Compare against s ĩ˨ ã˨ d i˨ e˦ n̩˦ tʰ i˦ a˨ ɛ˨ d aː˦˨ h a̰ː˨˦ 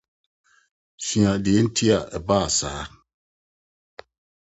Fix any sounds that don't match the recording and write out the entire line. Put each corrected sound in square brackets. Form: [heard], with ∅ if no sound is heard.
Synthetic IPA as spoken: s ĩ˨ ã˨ d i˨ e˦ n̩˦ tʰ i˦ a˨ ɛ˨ [b] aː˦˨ [s] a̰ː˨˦